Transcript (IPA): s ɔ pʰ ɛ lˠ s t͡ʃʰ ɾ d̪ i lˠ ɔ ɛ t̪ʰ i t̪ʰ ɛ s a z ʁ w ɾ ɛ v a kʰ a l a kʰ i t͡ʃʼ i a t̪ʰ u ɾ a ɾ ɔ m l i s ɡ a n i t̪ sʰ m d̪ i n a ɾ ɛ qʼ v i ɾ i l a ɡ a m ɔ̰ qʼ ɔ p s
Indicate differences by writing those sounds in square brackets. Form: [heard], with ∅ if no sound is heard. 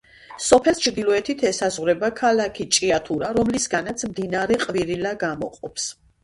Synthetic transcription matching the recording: s ɔ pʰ ɛ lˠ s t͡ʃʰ ɾ d̪ i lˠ ɔ ɛ t̪ʰ i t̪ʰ ɛ s a z ʁ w ɾ ɛ [b] a kʰ a l a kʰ i t͡ʃʼ i a t̪ʰ u ɾ a ɾ ɔ m l i s ɡ a n [a] t̪ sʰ m d̪ i n a ɾ ɛ qʼ v i ɾ i l a ɡ a m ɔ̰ qʼ ɔ p s